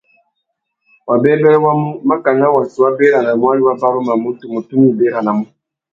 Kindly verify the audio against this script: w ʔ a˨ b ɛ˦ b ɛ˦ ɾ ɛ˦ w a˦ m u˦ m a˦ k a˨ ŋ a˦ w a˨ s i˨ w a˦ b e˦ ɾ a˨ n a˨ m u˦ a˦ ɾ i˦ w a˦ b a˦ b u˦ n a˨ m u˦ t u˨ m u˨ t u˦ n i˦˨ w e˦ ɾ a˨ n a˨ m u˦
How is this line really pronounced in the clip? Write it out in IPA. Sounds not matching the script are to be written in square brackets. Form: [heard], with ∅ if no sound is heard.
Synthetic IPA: w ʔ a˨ b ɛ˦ b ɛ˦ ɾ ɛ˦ w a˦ m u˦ m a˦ k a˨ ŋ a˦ w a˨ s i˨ w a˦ b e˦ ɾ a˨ n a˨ m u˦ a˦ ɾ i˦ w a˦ b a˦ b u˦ [m] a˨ m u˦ t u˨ m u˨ t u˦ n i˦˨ [b] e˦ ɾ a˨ n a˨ m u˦